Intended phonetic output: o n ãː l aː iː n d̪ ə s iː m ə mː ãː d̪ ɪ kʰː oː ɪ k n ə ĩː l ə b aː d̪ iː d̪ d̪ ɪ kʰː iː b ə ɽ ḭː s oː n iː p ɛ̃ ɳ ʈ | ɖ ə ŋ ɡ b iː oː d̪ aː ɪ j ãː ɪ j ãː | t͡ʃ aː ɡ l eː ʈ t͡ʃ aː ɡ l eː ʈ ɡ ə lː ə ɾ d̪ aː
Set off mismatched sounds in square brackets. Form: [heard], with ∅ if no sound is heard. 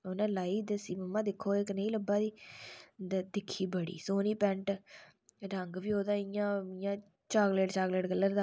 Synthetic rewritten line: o n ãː l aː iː [∅] d̪ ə s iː m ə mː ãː d̪ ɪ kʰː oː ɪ k n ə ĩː l ə b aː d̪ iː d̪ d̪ ɪ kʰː iː b ə ɽ ḭː s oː n iː p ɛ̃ ɳ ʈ | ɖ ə ŋ ɡ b iː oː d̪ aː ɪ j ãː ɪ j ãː | t͡ʃ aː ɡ l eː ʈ t͡ʃ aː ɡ l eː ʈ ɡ ə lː ə ɾ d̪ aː